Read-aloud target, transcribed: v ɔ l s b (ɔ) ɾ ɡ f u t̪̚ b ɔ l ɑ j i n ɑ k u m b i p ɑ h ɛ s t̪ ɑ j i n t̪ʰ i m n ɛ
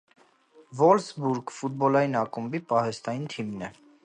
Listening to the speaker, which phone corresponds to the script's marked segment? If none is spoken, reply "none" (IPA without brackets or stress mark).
u